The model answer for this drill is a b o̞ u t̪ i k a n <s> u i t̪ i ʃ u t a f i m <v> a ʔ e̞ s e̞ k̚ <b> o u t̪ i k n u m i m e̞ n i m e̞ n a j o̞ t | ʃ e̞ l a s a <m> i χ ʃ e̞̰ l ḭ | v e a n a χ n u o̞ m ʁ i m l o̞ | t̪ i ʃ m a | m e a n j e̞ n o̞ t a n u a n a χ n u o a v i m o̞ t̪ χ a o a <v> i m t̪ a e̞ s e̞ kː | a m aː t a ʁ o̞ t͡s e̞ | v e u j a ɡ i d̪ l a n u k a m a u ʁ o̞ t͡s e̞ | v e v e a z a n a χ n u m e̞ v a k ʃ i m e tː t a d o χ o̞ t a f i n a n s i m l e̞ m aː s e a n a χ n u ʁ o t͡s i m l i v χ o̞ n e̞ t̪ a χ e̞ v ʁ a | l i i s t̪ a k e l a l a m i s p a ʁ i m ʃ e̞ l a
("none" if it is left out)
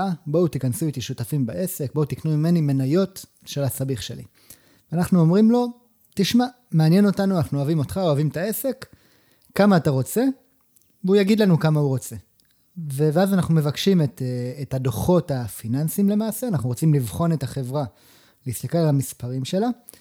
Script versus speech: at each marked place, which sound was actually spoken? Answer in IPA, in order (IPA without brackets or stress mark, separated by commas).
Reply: s, b, b, b, v